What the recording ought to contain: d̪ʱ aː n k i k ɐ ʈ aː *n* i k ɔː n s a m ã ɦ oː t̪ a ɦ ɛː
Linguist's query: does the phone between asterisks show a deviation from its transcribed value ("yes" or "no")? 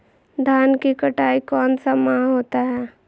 yes